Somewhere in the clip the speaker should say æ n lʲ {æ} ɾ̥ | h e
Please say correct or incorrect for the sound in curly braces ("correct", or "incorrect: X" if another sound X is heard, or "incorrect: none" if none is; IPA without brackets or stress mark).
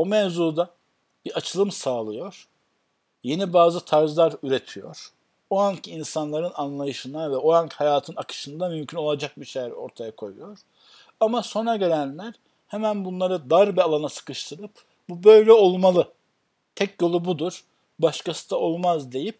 correct